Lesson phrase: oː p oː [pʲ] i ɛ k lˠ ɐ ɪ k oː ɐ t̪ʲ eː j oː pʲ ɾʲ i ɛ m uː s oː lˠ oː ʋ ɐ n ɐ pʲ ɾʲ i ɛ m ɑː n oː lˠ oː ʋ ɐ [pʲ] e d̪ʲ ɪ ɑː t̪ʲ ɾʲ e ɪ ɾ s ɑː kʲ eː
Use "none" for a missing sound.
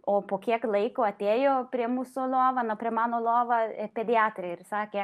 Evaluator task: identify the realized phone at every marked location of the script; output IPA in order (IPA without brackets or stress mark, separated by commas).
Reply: kʲ, pʲ